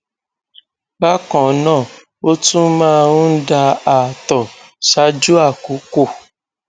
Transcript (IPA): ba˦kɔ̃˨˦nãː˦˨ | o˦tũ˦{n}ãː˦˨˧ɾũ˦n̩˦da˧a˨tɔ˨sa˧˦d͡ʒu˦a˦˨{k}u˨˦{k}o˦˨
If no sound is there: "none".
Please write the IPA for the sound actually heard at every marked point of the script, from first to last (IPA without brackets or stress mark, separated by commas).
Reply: m, k, k